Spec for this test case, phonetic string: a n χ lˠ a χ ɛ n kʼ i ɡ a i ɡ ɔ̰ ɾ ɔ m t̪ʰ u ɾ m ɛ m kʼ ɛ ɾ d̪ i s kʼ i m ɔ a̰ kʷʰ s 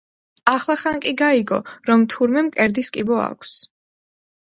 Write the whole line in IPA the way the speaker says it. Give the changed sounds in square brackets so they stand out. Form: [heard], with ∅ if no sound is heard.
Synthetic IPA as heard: a [∅] χ lˠ a χ [a] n kʼ i ɡ a i ɡ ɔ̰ ɾ ɔ m t̪ʰ u ɾ m ɛ m kʼ ɛ ɾ d̪ i s kʼ i [b] ɔ a̰ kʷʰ s